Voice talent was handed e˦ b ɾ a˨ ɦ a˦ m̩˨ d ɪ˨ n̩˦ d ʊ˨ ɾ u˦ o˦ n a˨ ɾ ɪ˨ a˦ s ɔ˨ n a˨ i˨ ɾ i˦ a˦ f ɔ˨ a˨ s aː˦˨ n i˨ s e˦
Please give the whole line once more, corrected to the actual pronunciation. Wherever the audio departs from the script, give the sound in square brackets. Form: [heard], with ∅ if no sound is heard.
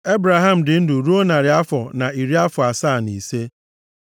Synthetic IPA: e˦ b ɾ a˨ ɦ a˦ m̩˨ d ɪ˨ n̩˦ d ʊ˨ ɾ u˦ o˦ n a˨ ɾ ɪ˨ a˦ [f] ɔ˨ n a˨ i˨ ɾ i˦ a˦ f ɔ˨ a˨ s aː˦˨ n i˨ s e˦

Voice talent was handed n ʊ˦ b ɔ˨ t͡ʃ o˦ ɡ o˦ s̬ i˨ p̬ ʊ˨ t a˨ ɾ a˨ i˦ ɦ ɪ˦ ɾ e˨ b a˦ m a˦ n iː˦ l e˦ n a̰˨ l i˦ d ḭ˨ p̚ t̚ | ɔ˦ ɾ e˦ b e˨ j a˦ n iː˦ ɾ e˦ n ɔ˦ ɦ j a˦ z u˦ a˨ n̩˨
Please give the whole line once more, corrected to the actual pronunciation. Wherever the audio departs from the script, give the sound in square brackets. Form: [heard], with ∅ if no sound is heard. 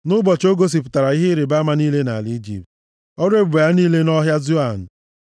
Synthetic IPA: n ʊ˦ b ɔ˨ t͡ʃ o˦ ɡ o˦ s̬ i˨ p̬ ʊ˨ t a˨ ɾ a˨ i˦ ɦ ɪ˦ ɾ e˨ b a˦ m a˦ n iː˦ l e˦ n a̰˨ l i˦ [d͡ʒ] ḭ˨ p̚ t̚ | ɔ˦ ɾ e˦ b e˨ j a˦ n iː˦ [l] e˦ n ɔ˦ ɦ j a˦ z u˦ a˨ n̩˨

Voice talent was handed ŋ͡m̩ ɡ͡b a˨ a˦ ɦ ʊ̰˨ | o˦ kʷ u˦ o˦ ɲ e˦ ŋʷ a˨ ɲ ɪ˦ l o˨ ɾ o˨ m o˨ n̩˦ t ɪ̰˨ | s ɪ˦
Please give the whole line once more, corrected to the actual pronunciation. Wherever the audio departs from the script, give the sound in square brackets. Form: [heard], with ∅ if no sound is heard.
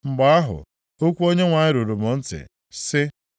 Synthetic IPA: ŋ͡m̩ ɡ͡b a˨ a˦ ɦ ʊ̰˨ | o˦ kʷ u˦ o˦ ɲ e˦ ŋʷ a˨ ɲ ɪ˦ [ɾ] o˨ ɾ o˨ m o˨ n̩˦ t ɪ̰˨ | s ɪ˦

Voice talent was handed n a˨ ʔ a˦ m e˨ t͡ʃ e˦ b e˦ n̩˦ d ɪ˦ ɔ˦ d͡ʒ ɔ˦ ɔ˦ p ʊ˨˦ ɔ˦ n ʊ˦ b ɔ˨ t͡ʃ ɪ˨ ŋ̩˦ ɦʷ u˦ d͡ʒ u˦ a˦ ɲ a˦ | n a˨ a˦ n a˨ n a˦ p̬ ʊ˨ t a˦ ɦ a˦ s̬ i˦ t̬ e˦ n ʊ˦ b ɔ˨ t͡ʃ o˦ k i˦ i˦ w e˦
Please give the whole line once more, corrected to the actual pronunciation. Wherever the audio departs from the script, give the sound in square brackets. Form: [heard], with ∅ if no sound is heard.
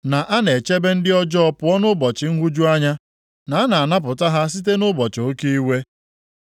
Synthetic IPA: n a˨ ʔ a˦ [n] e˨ t͡ʃ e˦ b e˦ n̩˦ d ɪ˦ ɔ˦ d͡ʒ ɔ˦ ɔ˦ p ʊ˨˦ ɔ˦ n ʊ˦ b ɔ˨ t͡ʃ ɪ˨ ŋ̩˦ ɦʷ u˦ d͡ʒ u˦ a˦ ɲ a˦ | n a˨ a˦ n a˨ n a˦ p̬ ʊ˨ t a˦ ɦ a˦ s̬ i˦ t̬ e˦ n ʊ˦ b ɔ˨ t͡ʃ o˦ k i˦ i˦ w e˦

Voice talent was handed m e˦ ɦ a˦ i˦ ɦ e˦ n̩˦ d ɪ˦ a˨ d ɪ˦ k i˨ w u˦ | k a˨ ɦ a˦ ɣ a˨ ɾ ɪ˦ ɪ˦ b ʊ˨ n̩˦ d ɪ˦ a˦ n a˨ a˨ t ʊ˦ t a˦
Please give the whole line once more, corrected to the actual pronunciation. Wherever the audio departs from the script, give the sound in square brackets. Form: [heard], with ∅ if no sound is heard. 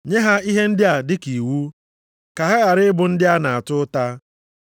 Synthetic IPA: [ɲ] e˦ ɦ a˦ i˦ ɦ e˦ n̩˦ d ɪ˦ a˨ d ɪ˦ k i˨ w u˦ | k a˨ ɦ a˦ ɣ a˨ ɾ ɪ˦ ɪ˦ b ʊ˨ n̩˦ d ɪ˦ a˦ n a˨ a˨ t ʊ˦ t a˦

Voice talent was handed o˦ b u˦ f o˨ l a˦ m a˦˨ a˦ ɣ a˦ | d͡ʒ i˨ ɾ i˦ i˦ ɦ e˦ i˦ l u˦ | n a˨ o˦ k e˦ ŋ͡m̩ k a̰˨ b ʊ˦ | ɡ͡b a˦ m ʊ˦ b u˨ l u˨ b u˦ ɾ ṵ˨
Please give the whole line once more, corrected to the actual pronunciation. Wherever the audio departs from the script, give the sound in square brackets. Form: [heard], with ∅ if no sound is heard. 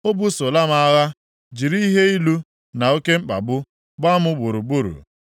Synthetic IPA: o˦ b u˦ [s] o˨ l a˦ m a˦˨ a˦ ɣ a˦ | d͡ʒ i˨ ɾ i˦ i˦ ɦ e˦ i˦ l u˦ | n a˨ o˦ k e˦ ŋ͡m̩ [k͡p] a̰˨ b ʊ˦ | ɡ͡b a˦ m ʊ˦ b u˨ [ɾ] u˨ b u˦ ɾ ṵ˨

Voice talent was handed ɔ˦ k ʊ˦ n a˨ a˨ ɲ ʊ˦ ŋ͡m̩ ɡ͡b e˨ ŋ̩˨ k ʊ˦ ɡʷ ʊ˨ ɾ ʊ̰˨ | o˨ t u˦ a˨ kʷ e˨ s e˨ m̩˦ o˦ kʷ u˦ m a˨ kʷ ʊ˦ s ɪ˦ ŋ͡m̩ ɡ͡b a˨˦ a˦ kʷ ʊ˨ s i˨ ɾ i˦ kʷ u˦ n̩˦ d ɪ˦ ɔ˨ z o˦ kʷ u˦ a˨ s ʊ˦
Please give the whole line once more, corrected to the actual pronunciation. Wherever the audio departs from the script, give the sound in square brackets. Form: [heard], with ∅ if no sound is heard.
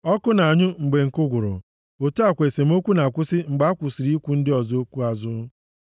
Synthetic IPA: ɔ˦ k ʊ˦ n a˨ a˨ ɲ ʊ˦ ŋ͡m̩ ɡ͡b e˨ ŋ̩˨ k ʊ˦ ɡʷ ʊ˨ ɾ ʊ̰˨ | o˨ t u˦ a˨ kʷ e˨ s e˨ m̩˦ o˦ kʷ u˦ [n] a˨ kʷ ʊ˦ s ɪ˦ ŋ͡m̩ ɡ͡b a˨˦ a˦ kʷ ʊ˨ s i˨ ɾ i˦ kʷ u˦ n̩˦ d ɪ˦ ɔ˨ z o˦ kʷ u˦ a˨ [z] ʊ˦

